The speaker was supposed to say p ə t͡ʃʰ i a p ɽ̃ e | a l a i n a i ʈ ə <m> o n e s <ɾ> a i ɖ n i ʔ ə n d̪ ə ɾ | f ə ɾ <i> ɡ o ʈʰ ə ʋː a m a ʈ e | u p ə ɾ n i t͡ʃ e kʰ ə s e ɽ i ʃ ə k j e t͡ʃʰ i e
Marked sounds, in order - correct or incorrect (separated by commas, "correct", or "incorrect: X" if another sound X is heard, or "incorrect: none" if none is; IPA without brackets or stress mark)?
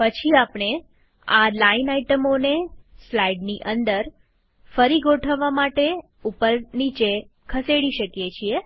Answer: correct, incorrect: l, correct